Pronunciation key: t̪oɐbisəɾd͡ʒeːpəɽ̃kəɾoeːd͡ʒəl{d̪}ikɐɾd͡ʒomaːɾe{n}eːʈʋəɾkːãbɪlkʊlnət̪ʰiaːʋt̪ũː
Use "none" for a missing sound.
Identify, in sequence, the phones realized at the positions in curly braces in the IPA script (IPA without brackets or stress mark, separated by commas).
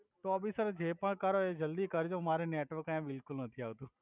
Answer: d̪, n